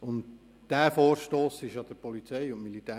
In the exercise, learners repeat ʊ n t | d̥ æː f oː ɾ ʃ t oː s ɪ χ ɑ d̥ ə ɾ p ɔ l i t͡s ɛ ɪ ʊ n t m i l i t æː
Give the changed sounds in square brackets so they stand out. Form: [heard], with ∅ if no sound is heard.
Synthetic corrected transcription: ʊ n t | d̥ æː f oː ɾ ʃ t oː s ɪ [ʃ] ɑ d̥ ə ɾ p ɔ l i t͡s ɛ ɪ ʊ n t m i l i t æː